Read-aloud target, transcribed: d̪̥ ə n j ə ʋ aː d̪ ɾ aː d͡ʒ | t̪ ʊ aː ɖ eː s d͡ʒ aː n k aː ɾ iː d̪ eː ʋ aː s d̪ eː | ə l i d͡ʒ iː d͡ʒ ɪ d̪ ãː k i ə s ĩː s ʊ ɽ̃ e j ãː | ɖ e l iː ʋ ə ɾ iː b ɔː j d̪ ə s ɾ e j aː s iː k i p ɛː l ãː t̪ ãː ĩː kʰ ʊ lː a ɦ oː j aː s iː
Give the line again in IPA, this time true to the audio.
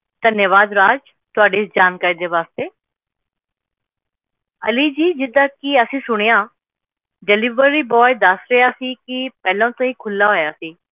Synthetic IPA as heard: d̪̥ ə n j ə ʋ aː d̪ ɾ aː d͡ʒ | t̪ ʊ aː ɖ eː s d͡ʒ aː n k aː ɾ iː d̪ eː ʋ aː s t̪ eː | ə l i d͡ʒ iː d͡ʒ ɪ d̪ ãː k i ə s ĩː s ʊ ɽ̃ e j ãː | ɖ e l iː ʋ ə ɾ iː b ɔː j d̪ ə s ɾ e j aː s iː k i p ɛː l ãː t̪ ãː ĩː kʰ ʊ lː a ɦ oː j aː s iː

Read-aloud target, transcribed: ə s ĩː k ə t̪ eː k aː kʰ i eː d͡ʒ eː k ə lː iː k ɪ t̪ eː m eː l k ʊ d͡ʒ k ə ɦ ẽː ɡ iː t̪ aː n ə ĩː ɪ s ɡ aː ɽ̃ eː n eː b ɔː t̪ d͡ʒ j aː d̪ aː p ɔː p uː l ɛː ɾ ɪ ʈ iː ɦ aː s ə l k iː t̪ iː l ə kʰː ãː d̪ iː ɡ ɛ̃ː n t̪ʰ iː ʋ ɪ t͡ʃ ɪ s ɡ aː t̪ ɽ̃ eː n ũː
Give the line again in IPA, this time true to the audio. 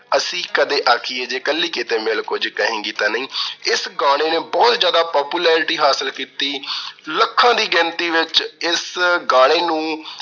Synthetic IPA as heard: ə s ĩː k ə d̪ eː ʔ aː kʰ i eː d͡ʒ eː k ə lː iː k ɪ t̪ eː m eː l k ʊ d͡ʒ k ə ɦ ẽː ɡ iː t̪ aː n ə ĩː ɪ s ɡ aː ɽ̃ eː n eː b ɔː t̪ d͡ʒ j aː d̪ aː p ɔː p uː l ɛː ɾ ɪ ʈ iː ɦ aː s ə l k iː t̪ iː l ə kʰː ãː d̪ iː ɡ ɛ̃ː n t̪ iː ʋ ɪ t͡ʃ ɪ s ɡ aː ɽ̃ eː n ũː

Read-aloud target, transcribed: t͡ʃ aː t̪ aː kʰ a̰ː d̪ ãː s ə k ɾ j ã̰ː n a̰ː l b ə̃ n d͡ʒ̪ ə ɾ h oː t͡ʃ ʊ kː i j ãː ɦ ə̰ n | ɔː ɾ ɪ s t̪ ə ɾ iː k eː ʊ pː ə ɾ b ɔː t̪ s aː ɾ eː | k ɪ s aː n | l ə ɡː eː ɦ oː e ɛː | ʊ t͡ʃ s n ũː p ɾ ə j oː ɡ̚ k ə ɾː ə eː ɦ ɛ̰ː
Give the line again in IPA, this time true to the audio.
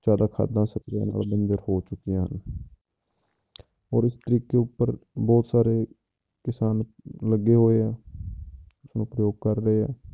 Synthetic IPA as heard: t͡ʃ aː d̪ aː kʰ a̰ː d̪ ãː s ə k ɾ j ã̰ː n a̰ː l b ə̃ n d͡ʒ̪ ə ɾ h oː t͡ʃ ʊ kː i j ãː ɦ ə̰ n | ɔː ɾ ɪ s t̪ ə ɾ iː k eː ʊ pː ə ɾ b ɔː t̪ s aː ɾ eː | k ɪ s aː n | l ə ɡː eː ɦ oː e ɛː | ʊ s n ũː p ɾ ə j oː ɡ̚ k ə ɾː ə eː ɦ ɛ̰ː

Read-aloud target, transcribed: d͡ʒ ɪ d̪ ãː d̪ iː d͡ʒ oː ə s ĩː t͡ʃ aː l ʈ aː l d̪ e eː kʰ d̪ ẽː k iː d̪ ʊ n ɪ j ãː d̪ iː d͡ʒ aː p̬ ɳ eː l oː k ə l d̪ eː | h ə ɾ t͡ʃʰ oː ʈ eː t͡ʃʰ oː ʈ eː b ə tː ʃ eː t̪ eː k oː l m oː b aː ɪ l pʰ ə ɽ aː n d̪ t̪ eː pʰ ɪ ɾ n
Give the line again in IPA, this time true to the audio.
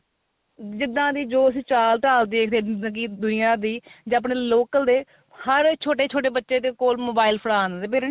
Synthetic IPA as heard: d͡ʒ ɪ d̪ ãː d̪ iː d͡ʒ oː ə s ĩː t͡ʃ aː l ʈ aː l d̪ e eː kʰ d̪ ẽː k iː d̪ ʊ n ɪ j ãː d̪ iː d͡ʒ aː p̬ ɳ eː l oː k ə l d̪ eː | h ə ɾ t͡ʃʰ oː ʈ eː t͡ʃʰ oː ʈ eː b ə tː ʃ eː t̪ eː k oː l m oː b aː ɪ l pʰ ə ɽ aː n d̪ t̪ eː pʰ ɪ ɾ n

